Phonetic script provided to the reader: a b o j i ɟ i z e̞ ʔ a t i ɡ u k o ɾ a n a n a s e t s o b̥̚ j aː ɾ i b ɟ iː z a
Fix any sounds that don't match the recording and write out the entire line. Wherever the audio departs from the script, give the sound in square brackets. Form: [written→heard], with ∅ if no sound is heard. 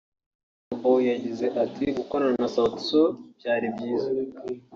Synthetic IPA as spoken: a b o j [i→a] ɟ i z e̞ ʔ a t i ɡ u k o ɾ a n a n a s [e→a] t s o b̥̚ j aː ɾ i b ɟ iː z a